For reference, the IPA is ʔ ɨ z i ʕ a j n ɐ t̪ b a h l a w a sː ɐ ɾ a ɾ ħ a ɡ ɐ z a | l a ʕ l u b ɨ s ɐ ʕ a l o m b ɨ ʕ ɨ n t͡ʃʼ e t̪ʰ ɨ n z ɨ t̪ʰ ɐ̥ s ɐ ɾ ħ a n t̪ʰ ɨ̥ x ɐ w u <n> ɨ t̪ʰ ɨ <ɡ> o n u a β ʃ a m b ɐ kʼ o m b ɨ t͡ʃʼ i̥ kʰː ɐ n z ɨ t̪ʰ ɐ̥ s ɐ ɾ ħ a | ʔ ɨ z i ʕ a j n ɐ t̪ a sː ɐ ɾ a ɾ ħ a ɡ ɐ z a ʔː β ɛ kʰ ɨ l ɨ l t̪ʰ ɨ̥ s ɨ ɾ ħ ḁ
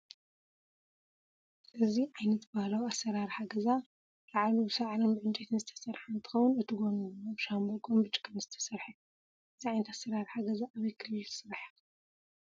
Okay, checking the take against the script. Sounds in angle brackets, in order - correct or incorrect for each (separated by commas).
correct, correct